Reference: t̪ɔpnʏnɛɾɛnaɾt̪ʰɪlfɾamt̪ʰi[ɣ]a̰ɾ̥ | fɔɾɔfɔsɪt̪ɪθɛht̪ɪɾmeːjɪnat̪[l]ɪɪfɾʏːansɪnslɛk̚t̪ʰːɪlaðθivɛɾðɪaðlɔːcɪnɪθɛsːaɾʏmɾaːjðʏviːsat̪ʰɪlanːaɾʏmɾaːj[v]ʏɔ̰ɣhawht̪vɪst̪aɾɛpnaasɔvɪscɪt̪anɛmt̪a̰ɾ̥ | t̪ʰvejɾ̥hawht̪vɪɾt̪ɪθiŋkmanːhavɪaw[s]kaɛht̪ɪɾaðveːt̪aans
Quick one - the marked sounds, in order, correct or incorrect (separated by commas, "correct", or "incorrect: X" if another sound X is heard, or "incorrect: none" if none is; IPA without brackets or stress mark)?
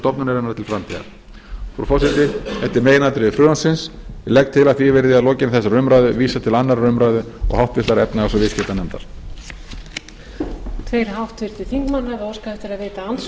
correct, incorrect: ɾ, incorrect: ð, correct